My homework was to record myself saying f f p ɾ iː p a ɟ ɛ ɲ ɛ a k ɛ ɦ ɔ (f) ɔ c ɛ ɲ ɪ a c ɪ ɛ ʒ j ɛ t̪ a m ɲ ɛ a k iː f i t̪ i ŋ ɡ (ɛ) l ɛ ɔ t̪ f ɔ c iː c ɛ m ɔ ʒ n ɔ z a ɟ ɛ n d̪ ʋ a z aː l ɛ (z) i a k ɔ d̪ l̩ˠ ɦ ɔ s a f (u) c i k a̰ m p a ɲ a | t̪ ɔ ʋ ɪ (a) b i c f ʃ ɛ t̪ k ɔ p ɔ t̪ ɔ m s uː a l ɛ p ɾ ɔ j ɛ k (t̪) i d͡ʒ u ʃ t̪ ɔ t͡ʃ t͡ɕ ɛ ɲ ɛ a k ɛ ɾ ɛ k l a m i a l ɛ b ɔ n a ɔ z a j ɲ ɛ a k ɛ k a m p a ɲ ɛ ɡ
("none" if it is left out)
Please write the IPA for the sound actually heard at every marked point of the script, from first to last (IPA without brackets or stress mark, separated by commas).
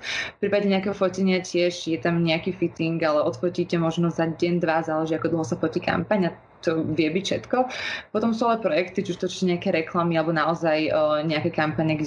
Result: f, a, ʒ, ɔ, ɛ, t̪